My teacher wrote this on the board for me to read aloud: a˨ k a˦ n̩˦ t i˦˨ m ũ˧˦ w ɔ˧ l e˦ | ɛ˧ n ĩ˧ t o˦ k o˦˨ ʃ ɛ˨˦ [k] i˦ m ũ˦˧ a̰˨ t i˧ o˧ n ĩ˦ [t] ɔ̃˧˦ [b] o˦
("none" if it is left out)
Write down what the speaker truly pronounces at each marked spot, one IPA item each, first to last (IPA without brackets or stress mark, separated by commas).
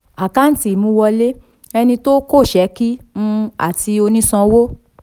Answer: k, s, w